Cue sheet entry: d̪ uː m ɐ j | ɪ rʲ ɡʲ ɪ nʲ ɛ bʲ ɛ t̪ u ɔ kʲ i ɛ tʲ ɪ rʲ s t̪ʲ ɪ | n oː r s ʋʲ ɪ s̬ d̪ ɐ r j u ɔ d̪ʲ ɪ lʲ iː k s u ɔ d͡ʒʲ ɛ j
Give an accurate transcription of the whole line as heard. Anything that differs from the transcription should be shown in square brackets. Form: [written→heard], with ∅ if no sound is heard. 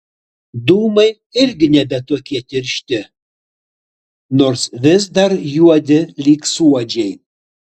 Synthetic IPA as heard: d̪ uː m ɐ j | ɪ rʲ ɡʲ ɪ nʲ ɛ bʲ ɛ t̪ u ɔ kʲ i ɛ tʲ ɪ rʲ [s→ʃ] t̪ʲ ɪ | n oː r s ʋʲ ɪ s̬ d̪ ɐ r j u ɔ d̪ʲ ɪ lʲ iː k s u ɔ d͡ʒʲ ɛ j